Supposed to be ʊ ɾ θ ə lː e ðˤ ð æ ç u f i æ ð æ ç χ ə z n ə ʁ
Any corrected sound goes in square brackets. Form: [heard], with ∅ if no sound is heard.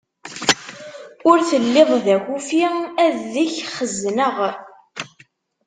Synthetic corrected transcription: ʊ ɾ θ ə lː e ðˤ ð æ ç u f i æ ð [i] ç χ ə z n ə ʁ